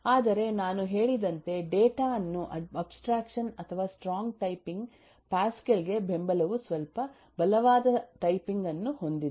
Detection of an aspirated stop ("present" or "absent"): present